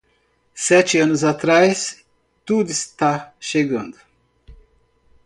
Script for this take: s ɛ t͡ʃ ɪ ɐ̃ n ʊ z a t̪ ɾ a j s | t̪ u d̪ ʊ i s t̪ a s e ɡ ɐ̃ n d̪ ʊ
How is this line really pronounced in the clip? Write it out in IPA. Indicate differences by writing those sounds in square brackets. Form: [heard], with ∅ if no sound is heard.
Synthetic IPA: s ɛ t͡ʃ ɪ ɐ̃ n ʊ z a t̪ ɾ a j s | t̪ u d̪ ʊ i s t̪ a [ʃ] e ɡ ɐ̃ n d̪ ʊ